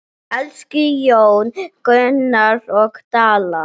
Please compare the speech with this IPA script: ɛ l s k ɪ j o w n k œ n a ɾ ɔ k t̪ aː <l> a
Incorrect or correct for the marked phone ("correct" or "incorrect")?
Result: correct